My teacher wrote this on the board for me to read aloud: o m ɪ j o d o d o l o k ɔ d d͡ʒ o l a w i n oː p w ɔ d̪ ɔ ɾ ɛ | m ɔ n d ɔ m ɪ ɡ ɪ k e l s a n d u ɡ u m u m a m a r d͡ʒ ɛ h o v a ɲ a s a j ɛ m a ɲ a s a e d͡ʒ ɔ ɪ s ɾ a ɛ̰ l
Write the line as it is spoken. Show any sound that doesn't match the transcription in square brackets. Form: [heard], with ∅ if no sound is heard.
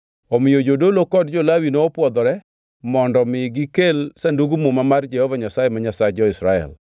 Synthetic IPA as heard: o m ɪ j o [d͡ʒ] o d o l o k ɔ d d͡ʒ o l a w i n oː p w ɔ d̪ ɔ ɾ ɛ | m ɔ n d ɔ m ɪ ɡ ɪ k e l s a n d u ɡ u m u m a m a r d͡ʒ ɛ h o v a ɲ a s a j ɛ m a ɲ a s a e d͡ʒ ɔ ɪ s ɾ a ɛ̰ l